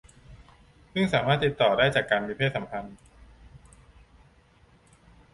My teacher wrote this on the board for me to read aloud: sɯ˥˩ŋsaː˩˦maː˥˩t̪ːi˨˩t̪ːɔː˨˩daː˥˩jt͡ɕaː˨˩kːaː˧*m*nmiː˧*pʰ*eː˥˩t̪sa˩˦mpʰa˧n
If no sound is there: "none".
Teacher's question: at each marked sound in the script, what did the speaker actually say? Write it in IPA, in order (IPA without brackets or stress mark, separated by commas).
none, pʰ